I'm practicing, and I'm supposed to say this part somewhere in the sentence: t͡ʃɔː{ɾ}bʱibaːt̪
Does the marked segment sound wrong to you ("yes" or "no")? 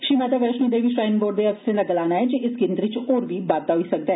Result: no